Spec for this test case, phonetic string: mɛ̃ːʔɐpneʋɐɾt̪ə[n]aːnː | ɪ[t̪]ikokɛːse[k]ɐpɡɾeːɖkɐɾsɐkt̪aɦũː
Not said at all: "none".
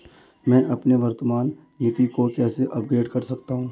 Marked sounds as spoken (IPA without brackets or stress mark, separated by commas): m, t̪, ʔ